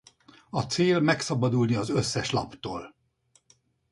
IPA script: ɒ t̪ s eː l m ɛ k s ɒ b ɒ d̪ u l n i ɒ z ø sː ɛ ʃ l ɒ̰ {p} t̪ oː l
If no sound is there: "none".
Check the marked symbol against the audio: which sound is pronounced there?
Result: p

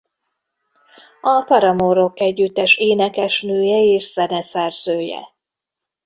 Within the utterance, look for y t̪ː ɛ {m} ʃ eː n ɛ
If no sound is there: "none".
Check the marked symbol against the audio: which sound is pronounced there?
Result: none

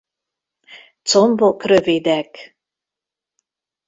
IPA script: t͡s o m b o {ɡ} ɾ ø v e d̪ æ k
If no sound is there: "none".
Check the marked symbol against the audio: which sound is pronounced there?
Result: k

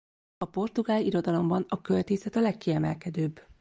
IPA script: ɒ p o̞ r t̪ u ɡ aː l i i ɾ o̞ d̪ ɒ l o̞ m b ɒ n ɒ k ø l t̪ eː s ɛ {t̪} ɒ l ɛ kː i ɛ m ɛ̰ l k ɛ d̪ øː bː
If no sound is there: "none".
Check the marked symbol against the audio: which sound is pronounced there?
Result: t̪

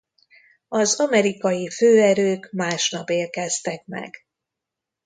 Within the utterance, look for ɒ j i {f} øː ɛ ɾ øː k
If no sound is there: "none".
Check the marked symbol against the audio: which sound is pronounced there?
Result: f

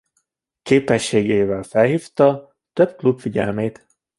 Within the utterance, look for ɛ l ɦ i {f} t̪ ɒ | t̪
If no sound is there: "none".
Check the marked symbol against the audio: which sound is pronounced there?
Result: f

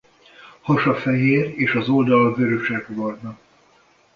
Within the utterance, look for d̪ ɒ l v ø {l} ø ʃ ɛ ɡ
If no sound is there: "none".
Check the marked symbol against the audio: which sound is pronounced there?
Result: ɾ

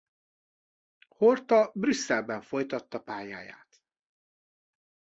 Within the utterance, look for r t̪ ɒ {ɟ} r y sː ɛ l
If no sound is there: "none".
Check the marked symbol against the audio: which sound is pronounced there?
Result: b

